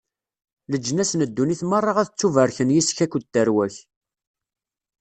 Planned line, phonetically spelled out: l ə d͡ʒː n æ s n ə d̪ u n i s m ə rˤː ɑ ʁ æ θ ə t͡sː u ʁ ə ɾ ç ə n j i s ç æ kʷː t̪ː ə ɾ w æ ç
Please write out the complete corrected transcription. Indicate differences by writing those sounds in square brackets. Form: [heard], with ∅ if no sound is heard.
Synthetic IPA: l ə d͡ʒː n æ s n ə [d̪ː] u n i [θ] m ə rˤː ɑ ʁ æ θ ə t͡sː u [v] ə ɾ ç ə n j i s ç æ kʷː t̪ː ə ɾ w æ ç